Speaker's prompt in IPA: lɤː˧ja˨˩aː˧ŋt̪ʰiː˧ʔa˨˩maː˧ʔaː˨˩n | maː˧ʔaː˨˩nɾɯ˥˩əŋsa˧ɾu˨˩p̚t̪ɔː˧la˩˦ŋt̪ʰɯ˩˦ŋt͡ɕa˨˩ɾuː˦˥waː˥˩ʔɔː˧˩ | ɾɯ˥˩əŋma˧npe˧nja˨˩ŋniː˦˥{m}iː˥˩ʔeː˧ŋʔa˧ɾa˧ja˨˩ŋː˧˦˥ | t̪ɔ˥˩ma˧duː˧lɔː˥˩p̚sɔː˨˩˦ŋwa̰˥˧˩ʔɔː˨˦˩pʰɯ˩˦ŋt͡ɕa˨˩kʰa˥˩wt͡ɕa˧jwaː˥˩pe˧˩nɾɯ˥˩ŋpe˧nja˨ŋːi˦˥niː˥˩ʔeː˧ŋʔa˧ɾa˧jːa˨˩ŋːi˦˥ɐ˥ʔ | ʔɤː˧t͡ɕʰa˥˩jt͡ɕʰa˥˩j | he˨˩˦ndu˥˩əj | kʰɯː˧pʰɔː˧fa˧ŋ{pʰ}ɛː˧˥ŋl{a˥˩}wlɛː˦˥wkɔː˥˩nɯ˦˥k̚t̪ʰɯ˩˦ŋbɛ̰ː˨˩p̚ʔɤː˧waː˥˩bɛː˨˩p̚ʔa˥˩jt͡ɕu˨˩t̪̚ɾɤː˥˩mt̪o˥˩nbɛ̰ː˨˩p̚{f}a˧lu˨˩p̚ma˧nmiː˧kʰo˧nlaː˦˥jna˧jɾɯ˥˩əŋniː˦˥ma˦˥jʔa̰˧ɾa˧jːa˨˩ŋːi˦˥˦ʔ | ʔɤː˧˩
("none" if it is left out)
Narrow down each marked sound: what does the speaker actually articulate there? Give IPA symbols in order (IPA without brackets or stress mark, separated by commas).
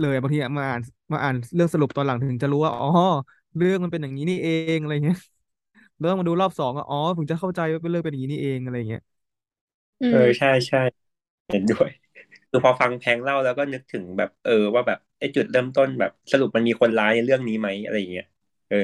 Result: n, pʰ, a˥˩, s